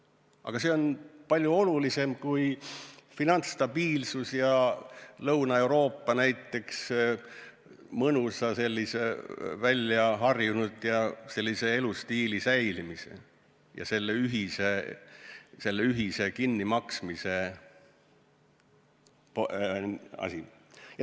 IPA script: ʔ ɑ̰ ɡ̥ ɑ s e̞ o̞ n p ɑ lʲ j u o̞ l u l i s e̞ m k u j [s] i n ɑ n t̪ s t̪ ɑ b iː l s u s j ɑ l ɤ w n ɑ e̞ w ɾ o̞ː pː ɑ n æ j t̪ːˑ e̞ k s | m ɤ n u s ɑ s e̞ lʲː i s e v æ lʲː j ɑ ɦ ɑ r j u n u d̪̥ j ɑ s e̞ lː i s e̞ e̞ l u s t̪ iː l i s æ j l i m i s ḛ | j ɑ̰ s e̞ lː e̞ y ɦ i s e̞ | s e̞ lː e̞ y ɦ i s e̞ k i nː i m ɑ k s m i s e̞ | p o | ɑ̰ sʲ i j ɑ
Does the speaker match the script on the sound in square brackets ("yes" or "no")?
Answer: no